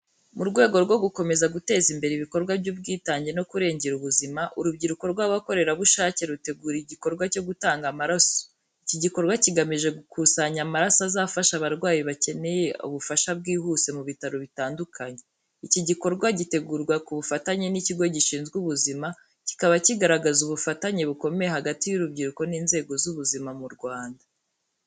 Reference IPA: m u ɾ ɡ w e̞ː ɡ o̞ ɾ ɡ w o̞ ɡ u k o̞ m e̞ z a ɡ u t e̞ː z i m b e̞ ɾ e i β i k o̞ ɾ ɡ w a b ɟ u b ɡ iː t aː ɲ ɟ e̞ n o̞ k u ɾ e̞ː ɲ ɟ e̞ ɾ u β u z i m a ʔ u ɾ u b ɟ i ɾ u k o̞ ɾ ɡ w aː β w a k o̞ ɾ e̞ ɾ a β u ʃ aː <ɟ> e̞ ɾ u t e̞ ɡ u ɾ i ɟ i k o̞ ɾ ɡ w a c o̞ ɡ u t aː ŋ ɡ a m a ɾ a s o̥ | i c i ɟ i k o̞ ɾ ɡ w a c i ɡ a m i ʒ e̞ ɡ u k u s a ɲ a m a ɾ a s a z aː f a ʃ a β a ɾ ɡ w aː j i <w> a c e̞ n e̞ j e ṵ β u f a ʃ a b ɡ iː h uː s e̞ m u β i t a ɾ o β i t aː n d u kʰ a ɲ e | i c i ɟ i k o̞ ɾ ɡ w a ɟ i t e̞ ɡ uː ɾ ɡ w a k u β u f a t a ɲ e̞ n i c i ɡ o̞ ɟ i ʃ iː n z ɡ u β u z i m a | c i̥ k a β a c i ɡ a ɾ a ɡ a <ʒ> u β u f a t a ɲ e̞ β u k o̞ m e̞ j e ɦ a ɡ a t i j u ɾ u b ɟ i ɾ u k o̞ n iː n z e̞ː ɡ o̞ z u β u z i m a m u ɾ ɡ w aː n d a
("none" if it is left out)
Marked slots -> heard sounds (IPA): c, β, z

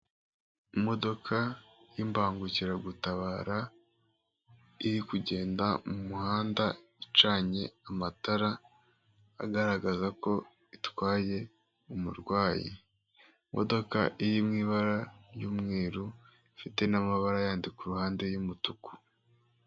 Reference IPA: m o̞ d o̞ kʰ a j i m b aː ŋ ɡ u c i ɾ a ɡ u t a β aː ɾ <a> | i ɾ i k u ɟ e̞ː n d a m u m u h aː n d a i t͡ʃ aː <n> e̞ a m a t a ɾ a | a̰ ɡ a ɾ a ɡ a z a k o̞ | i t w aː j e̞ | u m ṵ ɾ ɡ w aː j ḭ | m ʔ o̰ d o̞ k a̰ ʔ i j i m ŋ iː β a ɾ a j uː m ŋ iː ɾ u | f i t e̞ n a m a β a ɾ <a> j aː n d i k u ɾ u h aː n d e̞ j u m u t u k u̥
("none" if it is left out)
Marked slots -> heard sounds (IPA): a, ɲ, a

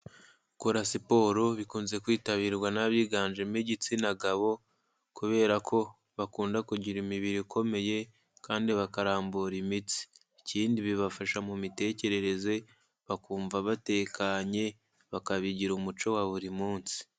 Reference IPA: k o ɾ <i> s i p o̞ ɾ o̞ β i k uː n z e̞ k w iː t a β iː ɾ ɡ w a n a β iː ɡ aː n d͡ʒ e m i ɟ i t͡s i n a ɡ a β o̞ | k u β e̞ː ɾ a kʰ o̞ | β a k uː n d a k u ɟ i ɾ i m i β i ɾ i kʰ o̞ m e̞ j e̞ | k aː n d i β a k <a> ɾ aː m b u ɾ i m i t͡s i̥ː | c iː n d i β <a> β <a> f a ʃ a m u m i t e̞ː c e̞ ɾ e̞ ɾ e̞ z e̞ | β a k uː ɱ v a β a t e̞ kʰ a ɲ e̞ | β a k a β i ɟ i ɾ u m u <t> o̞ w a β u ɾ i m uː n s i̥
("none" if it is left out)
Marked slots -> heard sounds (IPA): a, a, i, a, t͡ʃ

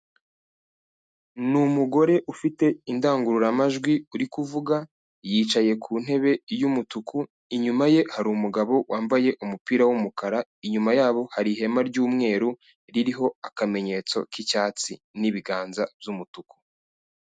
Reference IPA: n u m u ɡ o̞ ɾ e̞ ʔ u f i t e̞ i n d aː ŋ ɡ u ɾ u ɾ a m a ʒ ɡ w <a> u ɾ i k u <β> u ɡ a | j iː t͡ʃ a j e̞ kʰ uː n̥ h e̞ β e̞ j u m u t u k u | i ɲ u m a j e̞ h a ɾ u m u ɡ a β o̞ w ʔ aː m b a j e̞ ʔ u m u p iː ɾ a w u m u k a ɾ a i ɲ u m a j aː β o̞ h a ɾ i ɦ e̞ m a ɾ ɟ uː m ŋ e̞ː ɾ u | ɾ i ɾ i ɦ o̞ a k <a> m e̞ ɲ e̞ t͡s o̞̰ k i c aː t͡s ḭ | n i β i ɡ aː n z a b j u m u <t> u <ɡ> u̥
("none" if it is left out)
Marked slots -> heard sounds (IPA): i, v, a, t, k

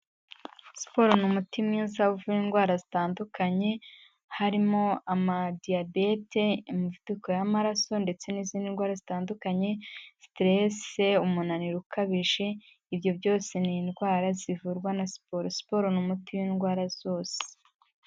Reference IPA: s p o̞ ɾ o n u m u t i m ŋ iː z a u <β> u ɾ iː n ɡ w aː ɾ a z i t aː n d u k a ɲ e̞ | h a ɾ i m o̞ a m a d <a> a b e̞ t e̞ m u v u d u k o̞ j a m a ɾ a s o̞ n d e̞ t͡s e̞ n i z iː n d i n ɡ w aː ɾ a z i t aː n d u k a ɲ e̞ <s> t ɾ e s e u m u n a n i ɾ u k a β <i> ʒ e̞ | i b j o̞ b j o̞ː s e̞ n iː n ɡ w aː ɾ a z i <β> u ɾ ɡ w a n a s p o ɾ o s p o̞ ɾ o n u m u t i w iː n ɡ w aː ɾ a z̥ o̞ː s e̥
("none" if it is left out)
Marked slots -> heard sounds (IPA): v, i, s, i, v

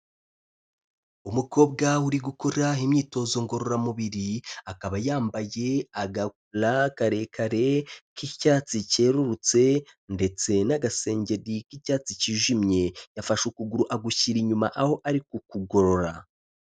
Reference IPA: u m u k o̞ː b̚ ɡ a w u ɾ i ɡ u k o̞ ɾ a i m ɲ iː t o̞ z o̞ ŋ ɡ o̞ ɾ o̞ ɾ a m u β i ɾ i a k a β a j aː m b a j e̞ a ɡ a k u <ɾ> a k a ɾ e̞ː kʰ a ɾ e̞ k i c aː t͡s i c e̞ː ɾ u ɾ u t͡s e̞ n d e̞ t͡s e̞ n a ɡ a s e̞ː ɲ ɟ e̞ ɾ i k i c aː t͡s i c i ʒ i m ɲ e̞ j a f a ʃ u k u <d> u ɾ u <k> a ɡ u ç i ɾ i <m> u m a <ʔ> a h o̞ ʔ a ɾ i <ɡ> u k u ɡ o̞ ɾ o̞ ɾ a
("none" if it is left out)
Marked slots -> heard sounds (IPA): l, ɡ, ʔ, ɲ, ʔ, k

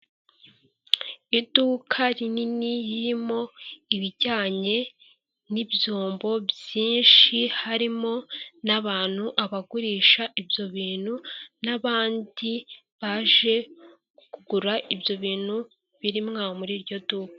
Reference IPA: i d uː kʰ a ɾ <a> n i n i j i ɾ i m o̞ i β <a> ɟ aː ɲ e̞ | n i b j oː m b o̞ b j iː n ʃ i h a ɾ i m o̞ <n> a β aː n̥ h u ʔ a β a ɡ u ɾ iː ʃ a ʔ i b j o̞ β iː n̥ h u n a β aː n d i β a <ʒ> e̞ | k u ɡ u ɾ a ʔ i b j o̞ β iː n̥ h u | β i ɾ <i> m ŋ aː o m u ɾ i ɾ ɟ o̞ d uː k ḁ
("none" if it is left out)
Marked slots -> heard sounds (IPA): i, i, n, ʒ, i

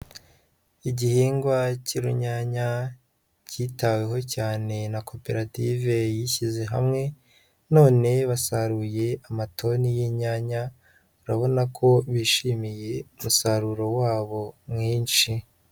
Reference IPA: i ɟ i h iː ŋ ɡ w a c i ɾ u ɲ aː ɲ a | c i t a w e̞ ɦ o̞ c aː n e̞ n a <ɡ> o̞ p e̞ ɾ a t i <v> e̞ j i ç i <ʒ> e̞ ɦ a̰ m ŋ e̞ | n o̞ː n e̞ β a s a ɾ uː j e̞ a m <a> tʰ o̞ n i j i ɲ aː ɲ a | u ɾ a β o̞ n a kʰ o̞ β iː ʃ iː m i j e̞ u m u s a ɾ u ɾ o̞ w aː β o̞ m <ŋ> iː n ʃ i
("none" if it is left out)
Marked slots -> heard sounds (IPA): k, v, z, a, ŋ

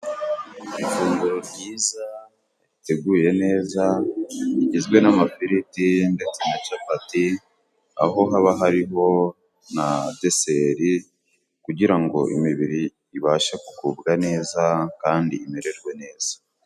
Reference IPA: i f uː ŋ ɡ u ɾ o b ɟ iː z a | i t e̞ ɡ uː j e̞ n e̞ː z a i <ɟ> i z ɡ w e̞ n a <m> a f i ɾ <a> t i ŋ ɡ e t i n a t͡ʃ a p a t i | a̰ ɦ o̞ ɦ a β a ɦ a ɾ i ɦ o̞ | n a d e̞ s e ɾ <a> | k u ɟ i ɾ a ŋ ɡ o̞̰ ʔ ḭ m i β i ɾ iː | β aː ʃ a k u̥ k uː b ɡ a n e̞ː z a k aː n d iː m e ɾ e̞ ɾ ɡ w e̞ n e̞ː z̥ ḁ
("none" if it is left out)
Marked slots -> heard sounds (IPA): ɟ, m, i, i

